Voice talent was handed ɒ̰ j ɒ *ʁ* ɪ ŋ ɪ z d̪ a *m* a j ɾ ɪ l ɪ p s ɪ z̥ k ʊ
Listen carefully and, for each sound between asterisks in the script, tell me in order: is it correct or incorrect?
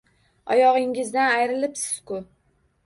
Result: correct, incorrect

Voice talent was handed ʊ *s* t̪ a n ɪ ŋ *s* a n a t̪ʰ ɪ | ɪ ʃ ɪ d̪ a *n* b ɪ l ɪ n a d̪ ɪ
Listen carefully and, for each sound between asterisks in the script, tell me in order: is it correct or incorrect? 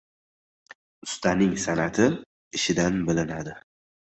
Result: correct, correct, correct

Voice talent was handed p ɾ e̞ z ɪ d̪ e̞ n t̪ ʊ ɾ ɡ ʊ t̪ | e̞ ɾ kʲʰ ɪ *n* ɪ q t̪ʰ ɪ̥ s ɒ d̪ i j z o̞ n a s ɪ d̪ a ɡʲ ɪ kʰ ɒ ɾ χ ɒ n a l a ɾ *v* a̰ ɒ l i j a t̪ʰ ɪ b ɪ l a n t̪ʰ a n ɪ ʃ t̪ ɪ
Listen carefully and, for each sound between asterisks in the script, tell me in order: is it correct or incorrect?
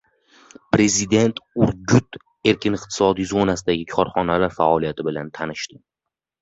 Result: correct, incorrect

